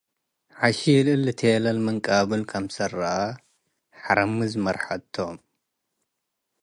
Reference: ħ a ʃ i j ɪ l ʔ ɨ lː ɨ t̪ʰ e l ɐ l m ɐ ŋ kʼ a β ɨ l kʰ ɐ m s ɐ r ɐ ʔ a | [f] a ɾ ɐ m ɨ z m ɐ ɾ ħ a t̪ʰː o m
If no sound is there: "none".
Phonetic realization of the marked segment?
ħ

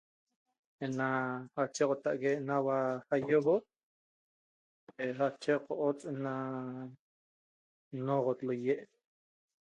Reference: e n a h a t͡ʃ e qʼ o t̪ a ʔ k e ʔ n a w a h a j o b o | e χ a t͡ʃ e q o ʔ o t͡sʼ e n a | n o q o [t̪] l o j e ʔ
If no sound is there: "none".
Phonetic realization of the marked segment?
t̪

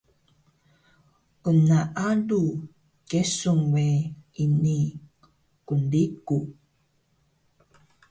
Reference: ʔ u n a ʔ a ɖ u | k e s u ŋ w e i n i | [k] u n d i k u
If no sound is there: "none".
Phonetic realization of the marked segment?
k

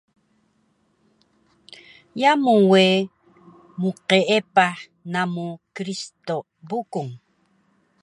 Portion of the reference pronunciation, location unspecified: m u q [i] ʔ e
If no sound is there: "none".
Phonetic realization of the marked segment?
e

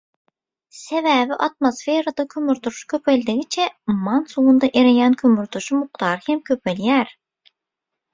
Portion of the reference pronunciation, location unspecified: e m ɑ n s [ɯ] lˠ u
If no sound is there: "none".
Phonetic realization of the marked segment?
u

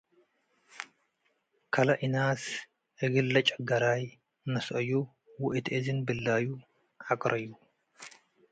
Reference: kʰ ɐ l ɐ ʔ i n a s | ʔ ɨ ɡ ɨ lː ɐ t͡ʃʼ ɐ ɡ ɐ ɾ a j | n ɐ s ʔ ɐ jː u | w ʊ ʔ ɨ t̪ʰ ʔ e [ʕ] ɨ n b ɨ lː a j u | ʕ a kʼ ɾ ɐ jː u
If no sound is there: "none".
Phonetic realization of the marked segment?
z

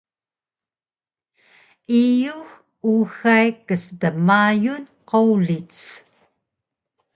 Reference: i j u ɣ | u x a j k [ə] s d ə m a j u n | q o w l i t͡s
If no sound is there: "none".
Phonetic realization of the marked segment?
ə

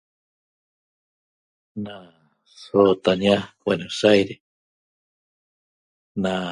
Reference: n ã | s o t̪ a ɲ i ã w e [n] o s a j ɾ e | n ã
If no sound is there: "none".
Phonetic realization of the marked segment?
n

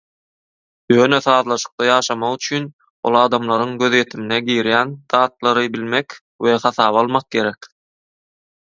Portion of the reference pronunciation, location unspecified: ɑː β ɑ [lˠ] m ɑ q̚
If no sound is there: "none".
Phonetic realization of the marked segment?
lˠ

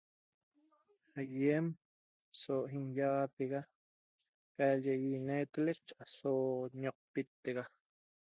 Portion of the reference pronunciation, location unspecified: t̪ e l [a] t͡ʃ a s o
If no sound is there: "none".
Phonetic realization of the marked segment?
e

